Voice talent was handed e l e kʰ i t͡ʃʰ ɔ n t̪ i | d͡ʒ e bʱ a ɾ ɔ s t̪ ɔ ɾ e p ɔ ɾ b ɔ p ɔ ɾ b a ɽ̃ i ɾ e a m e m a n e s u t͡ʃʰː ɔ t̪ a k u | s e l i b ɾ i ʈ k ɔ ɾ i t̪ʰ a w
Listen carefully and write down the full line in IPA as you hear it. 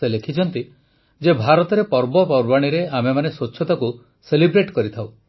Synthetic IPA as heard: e l e kʰ i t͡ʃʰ ɔ n t̪ i | d͡ʒ e bʱ a ɾ ɔ t̪ ɔ ɾ e p ɔ ɾ b ɔ p ɔ ɾ b a ɽ̃ i ɾ e a m e m a n e s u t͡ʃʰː ɔ t̪ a k u | s e l i b ɾ e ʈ k ɔ ɾ i t̪ʰ a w